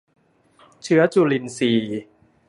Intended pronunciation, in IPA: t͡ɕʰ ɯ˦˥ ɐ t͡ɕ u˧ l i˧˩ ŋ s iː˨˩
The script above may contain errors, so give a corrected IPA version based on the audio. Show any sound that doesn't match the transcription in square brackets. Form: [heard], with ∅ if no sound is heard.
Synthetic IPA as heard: t͡ɕʰ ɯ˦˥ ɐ t͡ɕ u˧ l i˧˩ [n] s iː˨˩